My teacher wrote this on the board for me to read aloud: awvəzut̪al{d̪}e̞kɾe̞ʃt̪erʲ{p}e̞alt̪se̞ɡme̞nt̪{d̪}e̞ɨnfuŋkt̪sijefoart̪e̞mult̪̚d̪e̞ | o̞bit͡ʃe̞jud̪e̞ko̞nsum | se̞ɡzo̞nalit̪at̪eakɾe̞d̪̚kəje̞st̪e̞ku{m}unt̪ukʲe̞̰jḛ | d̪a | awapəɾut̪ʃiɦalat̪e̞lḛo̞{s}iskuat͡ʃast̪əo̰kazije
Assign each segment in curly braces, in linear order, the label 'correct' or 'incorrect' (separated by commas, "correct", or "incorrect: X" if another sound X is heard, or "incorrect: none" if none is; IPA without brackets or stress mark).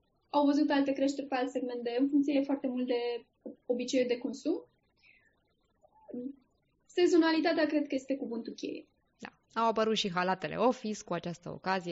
incorrect: t̪, correct, correct, incorrect: b, incorrect: f